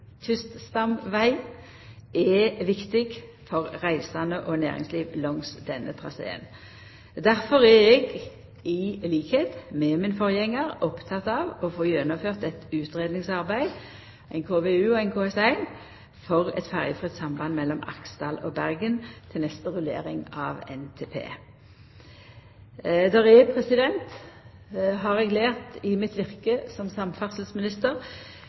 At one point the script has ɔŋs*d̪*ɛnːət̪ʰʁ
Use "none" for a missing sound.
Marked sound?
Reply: d̪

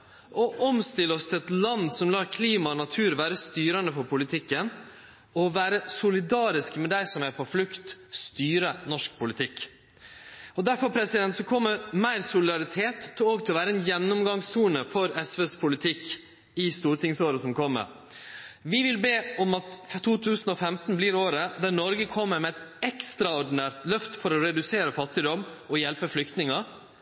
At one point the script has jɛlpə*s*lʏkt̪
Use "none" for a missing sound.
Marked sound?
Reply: f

